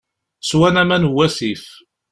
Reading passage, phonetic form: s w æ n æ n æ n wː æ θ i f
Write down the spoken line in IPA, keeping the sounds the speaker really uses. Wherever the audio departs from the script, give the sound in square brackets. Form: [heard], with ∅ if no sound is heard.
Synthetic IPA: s w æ n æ [m] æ n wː æ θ i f